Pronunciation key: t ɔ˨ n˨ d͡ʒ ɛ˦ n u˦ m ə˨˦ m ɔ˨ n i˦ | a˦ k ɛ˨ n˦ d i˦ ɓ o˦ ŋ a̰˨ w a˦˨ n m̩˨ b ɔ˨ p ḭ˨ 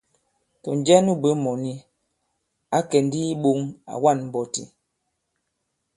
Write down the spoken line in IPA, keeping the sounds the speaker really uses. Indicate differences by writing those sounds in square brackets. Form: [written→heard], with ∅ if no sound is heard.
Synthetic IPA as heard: t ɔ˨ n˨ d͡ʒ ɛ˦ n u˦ [m→b] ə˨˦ m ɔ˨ n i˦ | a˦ k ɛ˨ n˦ d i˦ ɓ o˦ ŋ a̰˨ w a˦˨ n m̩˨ b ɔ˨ [p→t] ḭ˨

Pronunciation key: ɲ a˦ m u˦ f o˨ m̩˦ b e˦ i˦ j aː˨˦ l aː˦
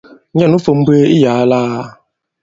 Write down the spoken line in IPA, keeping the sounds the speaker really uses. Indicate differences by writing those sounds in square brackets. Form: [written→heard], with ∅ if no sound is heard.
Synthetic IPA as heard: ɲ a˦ [m→n] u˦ f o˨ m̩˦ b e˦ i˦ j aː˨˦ l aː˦

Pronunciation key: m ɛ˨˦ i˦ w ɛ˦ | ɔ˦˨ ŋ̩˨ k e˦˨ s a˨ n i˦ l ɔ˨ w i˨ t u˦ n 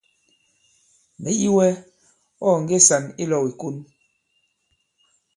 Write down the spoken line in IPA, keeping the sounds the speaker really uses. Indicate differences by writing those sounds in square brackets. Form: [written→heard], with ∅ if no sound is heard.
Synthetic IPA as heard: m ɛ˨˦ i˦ w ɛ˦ | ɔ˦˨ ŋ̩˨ [k→ɡ] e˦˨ s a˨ n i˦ l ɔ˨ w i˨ [t→k] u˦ n

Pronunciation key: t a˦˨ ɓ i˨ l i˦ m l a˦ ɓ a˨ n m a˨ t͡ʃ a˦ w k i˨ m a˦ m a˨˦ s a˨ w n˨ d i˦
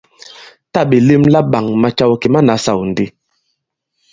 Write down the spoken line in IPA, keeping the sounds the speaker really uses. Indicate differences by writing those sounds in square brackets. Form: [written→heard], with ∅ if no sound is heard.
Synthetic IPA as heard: t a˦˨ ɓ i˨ l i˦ m l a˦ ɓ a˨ [n→ŋ] m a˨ t͡ʃ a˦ w k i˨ m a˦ [m→n] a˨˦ s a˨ w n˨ d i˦

